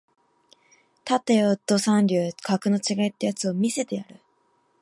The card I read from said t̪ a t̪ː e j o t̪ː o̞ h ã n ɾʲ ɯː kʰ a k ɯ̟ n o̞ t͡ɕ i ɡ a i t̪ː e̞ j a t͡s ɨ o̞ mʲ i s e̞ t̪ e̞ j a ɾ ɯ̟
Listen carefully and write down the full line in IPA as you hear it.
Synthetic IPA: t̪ a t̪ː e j o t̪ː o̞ s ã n ɾʲ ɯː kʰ a k ɯ̟ n o̞ t͡ɕ i ɡ a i t̪ː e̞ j a t͡s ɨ o̞ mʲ i s e̞ t̪ e̞ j a ɾ ɯ̟